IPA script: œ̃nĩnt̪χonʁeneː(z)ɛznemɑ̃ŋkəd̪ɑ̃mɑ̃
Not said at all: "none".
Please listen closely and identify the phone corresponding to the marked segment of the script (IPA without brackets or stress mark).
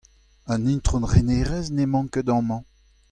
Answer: ʁ